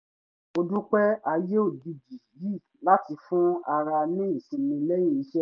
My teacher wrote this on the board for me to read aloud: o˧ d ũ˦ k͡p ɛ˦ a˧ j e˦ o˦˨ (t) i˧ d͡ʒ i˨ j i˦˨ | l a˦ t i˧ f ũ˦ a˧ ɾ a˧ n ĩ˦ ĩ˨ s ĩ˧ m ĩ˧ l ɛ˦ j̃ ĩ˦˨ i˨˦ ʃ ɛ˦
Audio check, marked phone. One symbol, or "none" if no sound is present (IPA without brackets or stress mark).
d